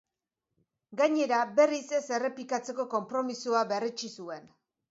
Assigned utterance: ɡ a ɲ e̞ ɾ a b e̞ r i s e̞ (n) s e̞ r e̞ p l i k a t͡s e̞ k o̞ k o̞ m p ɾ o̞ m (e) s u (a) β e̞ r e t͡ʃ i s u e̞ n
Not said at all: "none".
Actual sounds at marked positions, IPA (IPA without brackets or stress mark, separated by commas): none, i, a